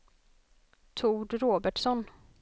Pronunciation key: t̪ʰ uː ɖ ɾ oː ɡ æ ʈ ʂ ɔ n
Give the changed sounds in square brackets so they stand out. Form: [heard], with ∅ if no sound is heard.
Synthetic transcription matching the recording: t̪ʰ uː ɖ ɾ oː [b] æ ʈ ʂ ɔ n